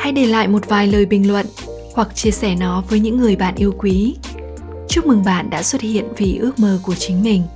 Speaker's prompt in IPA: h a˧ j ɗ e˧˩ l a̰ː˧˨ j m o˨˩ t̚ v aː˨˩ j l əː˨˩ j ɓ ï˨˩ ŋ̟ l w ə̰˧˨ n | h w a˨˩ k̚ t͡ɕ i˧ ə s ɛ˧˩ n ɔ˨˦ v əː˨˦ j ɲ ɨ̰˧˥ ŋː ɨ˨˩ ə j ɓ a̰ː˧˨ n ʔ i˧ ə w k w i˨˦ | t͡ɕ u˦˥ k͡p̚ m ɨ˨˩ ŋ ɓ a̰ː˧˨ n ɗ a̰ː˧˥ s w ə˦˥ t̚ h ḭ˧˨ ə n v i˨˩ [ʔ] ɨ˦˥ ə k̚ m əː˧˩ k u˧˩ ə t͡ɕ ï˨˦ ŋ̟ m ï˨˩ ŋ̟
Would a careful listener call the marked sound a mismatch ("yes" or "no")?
no